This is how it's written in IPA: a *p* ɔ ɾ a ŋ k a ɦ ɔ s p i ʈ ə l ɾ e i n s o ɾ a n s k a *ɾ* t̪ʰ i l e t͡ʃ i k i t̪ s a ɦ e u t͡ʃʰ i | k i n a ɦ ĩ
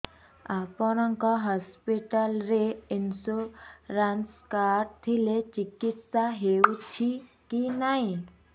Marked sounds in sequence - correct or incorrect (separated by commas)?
correct, correct